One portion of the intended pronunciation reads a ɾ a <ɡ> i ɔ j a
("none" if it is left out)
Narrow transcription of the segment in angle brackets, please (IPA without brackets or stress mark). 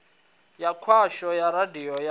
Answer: d